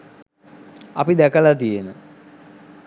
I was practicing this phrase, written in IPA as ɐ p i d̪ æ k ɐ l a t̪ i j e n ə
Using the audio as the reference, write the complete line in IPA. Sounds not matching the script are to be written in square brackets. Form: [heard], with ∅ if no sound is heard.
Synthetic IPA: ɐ p i d̪ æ k [ə] l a t̪ i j e n ə